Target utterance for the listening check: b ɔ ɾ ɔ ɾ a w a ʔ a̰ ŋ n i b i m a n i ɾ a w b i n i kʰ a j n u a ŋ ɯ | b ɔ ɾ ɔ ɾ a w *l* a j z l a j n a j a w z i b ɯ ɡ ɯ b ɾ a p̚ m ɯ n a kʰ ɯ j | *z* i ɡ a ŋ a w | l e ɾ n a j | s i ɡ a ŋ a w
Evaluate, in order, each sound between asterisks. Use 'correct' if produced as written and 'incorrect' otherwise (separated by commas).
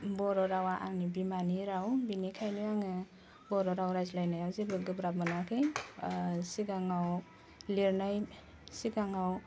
incorrect, incorrect